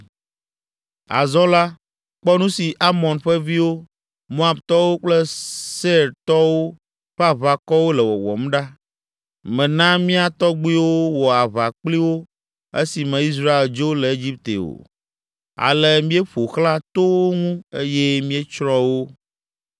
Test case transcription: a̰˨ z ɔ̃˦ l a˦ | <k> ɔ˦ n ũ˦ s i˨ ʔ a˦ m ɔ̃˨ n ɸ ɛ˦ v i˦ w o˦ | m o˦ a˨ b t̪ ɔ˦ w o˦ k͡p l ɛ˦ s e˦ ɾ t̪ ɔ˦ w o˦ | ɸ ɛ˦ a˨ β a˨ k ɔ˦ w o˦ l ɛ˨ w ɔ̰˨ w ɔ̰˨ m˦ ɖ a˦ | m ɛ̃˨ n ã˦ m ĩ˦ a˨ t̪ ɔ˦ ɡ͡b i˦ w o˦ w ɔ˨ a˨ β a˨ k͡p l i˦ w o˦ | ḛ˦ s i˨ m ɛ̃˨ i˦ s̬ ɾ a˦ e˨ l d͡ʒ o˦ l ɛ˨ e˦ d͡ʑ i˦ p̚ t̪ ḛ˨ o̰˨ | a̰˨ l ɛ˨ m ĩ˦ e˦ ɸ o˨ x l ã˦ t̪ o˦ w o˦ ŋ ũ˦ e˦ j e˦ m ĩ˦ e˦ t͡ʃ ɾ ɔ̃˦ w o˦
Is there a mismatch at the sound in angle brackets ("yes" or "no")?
yes